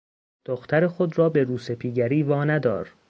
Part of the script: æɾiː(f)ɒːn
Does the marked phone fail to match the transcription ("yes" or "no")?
yes